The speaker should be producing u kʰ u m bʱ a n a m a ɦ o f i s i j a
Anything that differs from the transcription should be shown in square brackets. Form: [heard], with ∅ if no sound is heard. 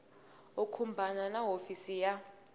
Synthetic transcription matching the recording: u kʰ u m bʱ a n a [n] a ɦ o f i s i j a